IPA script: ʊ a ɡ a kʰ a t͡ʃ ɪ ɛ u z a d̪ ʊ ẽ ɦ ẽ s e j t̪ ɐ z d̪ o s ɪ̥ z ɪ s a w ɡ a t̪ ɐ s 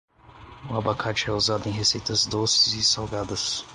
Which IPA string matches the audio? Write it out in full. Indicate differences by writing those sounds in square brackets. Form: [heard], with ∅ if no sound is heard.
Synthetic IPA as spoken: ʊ a [b] a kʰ a t͡ʃ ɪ ɛ u z a d̪ ʊ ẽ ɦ [e] s e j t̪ ɐ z d̪ o s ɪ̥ z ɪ s a w ɡ a [d̪] ɐ s